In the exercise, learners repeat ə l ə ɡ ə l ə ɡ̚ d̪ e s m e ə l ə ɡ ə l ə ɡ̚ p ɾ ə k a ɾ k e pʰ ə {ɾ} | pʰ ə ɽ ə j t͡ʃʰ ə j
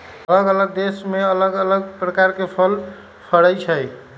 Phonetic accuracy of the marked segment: incorrect: l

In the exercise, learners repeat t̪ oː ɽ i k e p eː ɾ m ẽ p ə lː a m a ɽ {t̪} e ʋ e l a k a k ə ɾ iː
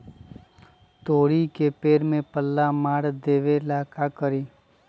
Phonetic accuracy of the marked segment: incorrect: d̪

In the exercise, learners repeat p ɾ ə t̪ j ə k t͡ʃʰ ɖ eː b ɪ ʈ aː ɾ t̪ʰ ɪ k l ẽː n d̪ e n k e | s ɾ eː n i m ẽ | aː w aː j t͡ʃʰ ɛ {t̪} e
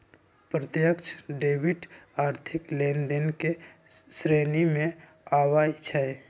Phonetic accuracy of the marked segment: incorrect: none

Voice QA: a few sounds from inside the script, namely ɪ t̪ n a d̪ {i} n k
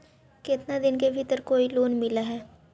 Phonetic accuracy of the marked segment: incorrect: ɪ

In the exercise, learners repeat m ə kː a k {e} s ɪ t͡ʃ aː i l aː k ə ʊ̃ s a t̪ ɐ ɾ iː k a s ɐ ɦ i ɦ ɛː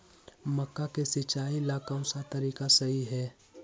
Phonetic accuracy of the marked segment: correct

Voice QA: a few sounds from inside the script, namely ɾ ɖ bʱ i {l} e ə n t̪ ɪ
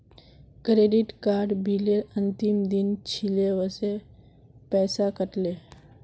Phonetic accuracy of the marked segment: correct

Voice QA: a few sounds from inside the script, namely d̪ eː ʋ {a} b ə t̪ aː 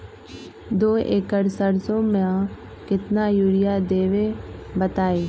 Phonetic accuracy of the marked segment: incorrect: e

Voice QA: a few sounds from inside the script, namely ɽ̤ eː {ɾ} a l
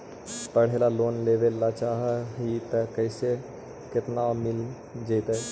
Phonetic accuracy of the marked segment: incorrect: l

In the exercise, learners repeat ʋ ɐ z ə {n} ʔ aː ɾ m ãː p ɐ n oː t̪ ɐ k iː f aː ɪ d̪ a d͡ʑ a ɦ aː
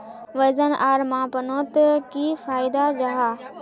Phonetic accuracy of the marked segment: correct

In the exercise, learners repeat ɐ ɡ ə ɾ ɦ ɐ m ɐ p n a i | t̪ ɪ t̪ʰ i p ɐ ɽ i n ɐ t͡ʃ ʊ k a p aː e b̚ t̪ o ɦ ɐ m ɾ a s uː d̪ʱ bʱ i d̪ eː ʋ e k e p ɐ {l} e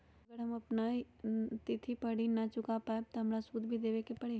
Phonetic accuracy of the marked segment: incorrect: ɽ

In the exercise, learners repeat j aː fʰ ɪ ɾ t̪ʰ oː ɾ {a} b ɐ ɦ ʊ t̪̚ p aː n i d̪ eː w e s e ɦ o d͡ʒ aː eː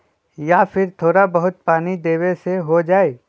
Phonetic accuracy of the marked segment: correct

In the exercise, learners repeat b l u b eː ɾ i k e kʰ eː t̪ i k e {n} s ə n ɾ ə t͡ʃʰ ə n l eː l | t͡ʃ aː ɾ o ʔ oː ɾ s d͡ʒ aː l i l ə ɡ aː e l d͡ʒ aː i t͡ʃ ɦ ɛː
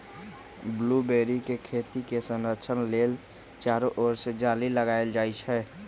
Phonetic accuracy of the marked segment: incorrect: none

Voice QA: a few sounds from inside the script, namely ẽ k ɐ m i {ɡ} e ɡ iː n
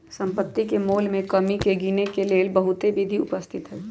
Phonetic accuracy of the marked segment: incorrect: k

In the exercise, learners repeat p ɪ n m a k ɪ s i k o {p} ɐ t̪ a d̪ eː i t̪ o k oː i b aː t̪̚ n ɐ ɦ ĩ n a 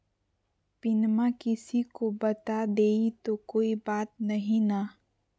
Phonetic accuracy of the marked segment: incorrect: b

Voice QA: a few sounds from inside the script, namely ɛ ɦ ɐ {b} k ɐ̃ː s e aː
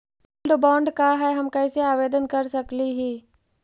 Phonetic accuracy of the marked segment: incorrect: m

